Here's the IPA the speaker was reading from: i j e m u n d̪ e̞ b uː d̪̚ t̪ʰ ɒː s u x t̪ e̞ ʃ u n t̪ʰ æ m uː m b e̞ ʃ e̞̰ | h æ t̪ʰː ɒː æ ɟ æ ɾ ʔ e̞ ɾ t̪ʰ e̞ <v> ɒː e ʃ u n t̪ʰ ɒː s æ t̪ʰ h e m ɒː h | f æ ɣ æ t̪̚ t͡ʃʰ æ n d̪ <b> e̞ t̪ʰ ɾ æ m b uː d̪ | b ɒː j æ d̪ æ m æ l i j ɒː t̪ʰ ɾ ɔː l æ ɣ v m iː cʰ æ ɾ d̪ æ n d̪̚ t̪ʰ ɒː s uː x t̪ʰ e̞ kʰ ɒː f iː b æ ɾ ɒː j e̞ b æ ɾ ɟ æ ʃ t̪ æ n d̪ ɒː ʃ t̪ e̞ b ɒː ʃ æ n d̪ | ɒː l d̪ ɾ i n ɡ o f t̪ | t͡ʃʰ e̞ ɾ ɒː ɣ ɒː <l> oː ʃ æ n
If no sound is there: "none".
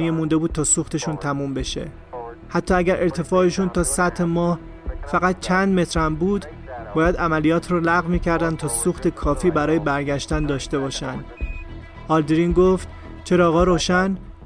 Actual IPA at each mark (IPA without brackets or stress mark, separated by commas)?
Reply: f, m, ɾ